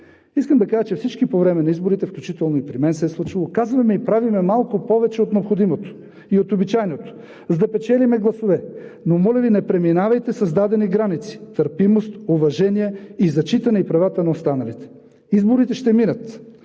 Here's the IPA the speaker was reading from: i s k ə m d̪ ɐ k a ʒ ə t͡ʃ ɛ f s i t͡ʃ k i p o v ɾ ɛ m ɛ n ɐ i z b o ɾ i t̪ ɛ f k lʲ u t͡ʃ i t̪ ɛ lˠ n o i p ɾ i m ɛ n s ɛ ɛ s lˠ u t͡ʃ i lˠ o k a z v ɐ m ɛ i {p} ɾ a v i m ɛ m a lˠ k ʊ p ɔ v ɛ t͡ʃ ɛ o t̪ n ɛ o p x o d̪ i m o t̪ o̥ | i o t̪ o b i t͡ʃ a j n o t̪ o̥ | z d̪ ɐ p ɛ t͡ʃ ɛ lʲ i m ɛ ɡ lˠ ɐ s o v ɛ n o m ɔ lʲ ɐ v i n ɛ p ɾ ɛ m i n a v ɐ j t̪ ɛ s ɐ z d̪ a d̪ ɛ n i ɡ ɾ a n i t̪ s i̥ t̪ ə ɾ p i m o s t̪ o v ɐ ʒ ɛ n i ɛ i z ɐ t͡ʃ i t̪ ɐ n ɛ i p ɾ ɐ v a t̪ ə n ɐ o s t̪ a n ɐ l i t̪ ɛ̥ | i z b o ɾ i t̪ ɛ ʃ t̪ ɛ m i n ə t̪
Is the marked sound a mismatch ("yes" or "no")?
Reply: no